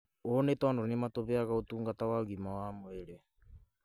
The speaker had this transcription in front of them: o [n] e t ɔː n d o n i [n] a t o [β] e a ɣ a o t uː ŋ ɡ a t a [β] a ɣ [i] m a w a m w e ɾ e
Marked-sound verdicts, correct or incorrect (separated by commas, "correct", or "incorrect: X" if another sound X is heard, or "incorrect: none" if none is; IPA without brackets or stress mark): correct, incorrect: m, correct, incorrect: w, correct